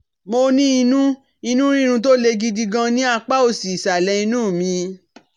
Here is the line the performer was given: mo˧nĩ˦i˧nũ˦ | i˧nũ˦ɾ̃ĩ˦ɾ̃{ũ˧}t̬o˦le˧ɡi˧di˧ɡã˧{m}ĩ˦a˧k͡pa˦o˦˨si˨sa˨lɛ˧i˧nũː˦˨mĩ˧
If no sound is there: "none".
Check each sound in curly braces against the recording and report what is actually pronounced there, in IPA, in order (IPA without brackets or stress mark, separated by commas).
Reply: ũ˧, n